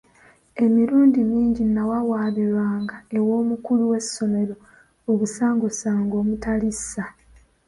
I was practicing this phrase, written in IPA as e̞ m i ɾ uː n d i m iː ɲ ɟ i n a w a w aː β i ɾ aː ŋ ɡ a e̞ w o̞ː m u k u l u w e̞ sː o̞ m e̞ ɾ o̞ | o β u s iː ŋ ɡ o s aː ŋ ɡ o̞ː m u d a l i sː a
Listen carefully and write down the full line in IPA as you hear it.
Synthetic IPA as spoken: e̞ m i ɾ uː n d i m iː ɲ ɟ i n a w a w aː β i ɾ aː ŋ ɡ a e̞ w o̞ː m u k u l u w e̞ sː o̞ m e̞ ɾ o̞ | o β u s aː ŋ ɡ o s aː ŋ ɡ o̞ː m u t a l i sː a